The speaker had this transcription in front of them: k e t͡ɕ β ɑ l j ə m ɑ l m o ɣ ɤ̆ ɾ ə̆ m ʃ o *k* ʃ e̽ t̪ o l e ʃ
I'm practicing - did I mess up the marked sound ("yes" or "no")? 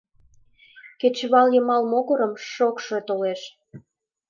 no